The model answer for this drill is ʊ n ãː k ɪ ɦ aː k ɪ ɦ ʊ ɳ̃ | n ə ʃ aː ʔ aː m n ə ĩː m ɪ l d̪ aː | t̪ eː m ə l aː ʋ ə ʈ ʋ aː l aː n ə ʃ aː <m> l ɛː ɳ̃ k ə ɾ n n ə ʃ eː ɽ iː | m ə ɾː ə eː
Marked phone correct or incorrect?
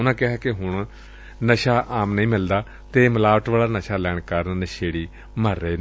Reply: incorrect